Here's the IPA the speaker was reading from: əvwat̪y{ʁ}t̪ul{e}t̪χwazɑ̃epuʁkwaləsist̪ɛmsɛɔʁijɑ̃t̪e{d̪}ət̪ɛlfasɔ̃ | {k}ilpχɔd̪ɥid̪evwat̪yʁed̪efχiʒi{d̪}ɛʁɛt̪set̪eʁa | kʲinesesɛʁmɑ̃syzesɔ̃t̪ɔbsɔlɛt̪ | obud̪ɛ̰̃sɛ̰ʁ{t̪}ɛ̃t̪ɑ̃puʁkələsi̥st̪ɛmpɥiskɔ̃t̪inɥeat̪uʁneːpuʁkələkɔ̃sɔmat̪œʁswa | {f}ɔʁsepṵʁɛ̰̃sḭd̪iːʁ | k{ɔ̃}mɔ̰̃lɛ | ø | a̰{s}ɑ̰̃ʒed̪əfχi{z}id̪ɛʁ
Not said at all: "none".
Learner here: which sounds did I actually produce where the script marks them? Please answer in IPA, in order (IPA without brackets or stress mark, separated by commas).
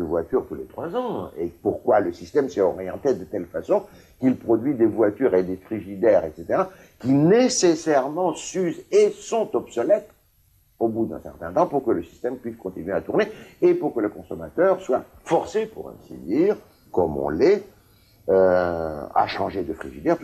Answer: ʁ, e, d̪, k, d̪, t̪, f, ɔ, ʃ, ʒ